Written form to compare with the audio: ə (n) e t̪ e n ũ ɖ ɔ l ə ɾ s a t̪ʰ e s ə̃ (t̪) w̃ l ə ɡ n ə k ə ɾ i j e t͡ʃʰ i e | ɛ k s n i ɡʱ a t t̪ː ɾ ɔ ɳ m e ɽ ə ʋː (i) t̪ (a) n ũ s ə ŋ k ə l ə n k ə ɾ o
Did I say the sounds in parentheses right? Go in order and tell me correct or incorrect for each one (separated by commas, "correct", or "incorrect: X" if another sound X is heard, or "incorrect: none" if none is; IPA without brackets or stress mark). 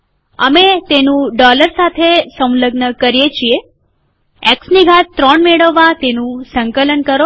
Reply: incorrect: m, incorrect: none, incorrect: a, incorrect: e